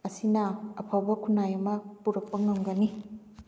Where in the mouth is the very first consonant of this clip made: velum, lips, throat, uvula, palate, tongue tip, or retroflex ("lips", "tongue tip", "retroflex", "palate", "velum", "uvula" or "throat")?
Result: tongue tip